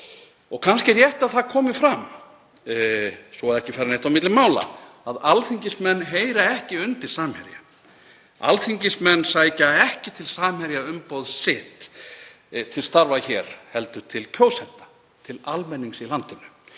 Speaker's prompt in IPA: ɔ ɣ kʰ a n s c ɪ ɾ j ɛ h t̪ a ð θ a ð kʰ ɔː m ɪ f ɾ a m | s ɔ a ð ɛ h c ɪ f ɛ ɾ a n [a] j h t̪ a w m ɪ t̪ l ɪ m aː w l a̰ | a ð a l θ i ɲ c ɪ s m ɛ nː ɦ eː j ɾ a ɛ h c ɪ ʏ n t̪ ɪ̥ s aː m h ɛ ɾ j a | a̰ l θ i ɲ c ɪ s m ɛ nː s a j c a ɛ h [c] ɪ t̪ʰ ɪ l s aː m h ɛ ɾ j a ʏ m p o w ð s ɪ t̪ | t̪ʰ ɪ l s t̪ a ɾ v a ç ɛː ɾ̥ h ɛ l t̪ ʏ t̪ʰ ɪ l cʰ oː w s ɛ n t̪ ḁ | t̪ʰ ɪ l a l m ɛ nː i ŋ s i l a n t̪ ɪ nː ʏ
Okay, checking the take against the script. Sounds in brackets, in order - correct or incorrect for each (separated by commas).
incorrect, correct